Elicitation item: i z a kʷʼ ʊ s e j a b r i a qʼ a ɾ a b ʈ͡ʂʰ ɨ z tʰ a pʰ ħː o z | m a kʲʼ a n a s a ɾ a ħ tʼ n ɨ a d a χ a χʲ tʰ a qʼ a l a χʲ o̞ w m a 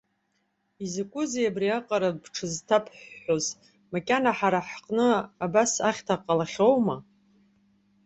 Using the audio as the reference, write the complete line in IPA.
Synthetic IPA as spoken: i z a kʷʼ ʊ z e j a b r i a qʼ a ɾ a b ʈ͡ʂʰ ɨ z tʰ a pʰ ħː o z | m a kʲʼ a n a ħ a ɾ a ħ qʼ n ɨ a b a s a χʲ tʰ a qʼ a l a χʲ o̞ w m a